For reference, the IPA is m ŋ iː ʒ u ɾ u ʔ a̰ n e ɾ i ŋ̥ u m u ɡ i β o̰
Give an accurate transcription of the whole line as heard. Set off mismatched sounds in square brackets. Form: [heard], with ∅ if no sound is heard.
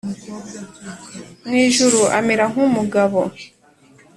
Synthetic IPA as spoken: m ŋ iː ʒ u ɾ u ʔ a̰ [m] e ɾ [a] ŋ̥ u m u ɡ [a] β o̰